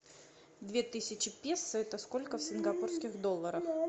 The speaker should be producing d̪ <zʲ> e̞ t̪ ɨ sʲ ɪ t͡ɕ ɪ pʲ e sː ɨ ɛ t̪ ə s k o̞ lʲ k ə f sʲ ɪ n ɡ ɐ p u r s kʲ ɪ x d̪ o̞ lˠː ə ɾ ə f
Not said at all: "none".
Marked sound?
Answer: vʲ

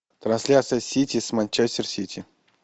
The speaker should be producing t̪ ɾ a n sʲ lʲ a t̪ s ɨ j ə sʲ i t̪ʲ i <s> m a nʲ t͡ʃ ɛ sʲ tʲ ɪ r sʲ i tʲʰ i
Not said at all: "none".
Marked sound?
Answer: s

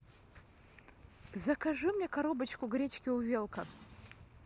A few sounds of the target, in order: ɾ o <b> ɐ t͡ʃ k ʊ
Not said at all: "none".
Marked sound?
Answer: b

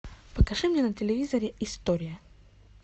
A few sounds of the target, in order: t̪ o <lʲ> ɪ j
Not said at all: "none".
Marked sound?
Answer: ɾʲ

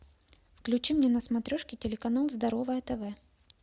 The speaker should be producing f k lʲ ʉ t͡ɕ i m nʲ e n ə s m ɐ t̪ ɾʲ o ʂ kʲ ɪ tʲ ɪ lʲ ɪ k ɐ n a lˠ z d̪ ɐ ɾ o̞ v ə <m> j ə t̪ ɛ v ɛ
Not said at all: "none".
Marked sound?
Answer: none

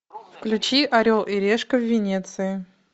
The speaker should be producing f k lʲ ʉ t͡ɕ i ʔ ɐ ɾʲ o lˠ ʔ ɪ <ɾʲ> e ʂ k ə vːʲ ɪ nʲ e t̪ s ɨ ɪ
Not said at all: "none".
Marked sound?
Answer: ɾʲ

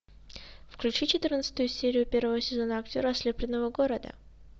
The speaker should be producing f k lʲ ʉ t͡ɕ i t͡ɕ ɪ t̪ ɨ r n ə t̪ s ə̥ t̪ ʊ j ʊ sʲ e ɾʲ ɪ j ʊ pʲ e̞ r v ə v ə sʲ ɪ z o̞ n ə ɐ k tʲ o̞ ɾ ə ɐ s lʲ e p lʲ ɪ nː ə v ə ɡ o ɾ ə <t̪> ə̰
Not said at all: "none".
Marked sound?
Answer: d̪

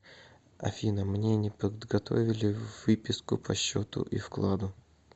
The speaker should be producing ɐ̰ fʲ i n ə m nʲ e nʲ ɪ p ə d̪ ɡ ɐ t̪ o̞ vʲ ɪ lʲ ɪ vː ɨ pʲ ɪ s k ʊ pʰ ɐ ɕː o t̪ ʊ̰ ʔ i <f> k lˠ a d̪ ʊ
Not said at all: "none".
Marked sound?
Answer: f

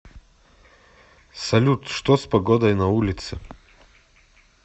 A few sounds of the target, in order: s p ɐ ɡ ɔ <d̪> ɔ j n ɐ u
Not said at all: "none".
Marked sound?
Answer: d̪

